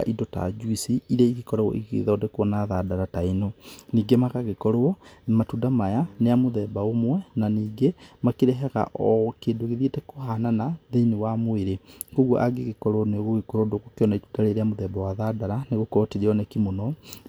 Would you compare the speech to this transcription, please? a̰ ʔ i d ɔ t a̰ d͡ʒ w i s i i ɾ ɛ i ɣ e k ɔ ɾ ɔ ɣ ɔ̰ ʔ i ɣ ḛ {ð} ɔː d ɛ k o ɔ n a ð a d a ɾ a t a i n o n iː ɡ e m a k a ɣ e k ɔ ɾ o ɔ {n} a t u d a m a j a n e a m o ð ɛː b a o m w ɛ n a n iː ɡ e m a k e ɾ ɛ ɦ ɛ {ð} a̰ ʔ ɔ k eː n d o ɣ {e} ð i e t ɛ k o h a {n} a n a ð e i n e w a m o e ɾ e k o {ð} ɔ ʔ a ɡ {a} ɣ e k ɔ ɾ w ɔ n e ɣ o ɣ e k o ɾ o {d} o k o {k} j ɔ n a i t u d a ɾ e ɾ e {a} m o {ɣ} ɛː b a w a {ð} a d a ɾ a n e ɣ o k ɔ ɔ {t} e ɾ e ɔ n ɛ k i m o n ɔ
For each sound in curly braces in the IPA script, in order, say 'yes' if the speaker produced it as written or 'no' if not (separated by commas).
yes, no, no, yes, yes, no, no, yes, yes, yes, no, yes, yes